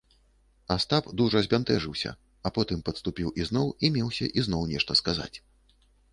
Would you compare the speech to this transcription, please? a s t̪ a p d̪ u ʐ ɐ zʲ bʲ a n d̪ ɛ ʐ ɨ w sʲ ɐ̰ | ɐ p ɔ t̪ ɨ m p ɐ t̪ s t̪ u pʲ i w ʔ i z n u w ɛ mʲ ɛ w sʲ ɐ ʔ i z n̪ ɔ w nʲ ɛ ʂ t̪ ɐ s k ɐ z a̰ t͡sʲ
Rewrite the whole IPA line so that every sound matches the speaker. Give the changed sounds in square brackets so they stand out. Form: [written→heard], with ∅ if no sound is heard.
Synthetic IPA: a s t̪ a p d̪ u ʐ ɐ zʲ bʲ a n [d̪→t̪] ɛ ʐ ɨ w sʲ ɐ̰ | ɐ p ɔ t̪ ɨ m p ɐ t̪ s t̪ u pʲ i w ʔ i z n [u→ɔ] w [ɛ→i] mʲ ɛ w sʲ ɐ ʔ i z n̪ ɔ w nʲ ɛ ʂ t̪ ɐ s k [ɐ→a] z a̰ t͡sʲ